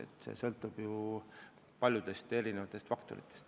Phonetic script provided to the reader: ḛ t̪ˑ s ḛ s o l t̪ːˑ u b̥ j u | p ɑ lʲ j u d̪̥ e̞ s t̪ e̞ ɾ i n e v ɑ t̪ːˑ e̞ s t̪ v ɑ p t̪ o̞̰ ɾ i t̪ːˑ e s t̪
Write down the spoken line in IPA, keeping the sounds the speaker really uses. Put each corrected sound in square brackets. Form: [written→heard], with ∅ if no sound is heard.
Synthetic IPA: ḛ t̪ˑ s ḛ s [o→ɤ] l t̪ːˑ u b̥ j u | p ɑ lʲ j u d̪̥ e̞ s t̪ e̞ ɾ i n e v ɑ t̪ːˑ e̞ s t̪ [v→f] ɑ [p→k] t̪ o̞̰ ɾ i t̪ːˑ e s t̪